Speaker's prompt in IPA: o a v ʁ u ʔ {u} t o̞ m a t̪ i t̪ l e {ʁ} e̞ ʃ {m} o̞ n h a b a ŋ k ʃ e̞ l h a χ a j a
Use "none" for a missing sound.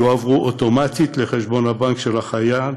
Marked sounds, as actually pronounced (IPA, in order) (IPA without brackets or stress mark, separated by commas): o, χ, b